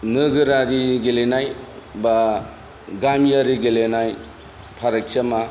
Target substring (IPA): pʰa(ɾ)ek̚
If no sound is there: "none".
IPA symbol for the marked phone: ɾ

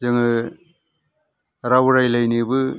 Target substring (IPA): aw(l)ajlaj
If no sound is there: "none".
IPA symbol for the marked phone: ɾ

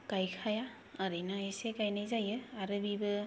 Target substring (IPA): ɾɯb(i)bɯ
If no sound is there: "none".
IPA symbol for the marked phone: i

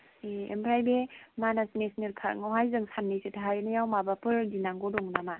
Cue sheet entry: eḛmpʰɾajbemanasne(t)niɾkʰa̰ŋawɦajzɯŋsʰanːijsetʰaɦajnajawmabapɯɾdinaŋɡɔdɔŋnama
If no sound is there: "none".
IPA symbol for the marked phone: s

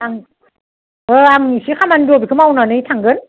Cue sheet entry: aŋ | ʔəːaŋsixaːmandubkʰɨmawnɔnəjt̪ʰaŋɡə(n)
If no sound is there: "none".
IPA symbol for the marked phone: n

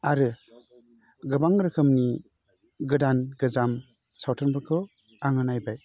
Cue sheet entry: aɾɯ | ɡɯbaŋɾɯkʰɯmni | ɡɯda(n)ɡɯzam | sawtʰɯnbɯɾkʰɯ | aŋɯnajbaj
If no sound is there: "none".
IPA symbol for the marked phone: n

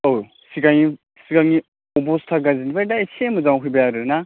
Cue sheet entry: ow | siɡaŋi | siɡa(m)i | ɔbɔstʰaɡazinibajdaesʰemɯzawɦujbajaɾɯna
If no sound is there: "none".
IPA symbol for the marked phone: ŋ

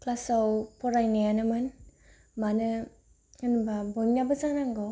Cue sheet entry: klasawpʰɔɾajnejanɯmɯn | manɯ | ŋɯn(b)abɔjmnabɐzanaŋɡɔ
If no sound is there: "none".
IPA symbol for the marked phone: b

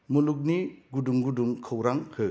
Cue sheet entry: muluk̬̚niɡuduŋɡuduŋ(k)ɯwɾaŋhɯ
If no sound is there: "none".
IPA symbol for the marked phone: kʰ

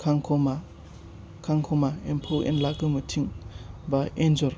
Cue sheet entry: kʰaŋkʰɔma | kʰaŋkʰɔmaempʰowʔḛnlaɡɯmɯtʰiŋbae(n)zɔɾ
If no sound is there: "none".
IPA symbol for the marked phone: n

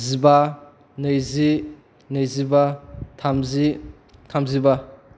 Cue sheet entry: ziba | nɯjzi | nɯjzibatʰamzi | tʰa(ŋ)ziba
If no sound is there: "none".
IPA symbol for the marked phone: m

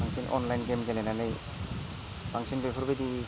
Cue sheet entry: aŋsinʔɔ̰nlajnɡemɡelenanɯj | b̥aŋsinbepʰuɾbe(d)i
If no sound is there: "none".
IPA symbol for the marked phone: d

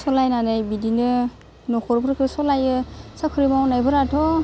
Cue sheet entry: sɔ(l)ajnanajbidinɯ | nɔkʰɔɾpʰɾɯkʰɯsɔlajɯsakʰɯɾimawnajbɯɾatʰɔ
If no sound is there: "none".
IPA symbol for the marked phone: l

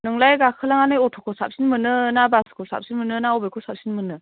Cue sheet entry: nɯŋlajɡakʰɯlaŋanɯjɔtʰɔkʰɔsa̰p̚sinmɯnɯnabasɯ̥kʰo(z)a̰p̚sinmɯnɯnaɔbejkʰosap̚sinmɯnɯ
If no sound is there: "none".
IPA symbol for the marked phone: s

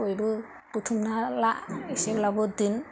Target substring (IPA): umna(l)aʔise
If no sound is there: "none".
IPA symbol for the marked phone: l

